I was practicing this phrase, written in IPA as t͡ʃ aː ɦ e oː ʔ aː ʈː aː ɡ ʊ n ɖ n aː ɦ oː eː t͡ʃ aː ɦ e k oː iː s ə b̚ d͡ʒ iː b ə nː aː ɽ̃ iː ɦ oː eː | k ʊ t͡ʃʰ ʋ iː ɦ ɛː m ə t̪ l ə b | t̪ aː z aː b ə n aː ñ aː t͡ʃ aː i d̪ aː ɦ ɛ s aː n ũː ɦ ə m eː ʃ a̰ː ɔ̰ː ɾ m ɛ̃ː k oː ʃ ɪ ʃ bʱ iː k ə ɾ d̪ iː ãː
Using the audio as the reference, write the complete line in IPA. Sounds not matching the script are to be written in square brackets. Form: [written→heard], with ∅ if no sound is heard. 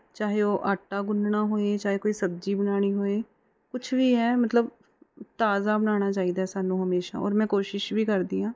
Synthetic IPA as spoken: t͡ʃ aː ɦ e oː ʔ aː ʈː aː ɡ ʊ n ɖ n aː ɦ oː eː t͡ʃ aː ɦ e k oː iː s ə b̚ d͡ʒ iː b ə [nː→n] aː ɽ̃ iː ɦ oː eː | k ʊ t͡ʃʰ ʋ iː ɦ ɛː m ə t̪ l ə b | t̪ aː z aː b ə n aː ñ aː t͡ʃ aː i d̪ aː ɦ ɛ s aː n ũː ɦ ə m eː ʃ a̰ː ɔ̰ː ɾ m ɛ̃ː k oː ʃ ɪ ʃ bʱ iː k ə ɾ d̪ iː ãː